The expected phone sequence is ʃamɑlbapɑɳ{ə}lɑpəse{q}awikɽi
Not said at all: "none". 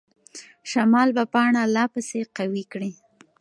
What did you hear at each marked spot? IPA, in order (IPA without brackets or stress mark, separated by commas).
a, q